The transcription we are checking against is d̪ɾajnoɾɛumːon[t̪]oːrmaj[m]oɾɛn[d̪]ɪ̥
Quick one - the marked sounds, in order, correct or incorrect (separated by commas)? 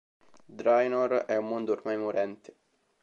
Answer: incorrect, correct, incorrect